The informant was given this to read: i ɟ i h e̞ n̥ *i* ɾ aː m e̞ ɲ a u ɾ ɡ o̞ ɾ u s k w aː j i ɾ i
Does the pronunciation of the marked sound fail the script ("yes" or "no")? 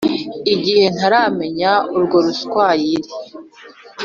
yes